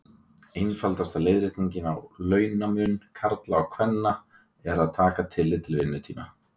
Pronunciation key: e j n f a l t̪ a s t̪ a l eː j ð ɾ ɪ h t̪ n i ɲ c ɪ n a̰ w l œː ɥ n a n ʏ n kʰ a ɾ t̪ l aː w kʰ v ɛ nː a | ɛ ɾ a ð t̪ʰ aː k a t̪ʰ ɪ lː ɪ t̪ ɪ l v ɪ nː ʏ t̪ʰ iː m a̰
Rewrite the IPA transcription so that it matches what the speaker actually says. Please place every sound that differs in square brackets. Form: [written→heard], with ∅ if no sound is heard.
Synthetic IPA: e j n f a l t̪ a s t̪ a l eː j ð ɾ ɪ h t̪ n i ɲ c ɪ n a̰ w l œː ɥ n a [n→m] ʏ n kʰ a ɾ t̪ l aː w kʰ v ɛ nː a | ɛ ɾ a ð t̪ʰ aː k a t̪ʰ ɪ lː ɪ t̪ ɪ l v ɪ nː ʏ t̪ʰ iː m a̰